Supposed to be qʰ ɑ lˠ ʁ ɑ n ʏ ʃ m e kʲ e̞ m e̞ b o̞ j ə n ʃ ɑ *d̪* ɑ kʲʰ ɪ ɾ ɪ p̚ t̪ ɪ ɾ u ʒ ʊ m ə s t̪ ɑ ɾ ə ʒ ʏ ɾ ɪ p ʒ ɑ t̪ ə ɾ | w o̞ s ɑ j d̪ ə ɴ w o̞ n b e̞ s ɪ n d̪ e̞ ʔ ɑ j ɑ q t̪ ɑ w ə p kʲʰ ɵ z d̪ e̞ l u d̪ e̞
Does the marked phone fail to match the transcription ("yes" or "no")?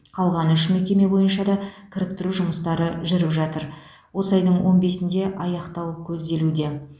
no